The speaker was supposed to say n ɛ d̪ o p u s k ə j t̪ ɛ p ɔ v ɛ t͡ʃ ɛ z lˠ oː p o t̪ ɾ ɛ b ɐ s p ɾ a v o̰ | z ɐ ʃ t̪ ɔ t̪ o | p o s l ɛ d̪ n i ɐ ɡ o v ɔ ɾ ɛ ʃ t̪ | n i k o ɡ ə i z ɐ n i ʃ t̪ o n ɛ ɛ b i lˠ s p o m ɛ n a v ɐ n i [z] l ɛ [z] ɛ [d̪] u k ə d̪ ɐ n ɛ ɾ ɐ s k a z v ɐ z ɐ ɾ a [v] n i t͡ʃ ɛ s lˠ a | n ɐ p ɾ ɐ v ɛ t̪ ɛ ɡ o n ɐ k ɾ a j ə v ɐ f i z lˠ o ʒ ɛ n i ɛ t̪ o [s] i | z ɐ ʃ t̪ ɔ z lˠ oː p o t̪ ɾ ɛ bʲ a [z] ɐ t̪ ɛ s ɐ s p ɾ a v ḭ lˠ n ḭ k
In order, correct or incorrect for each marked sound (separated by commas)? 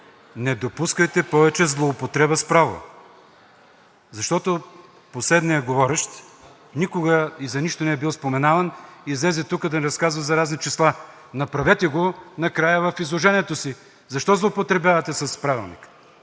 correct, correct, incorrect, incorrect, correct, incorrect